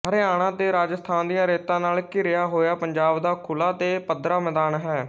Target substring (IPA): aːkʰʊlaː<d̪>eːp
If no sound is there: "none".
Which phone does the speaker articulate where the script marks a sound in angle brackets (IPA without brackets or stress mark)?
t̪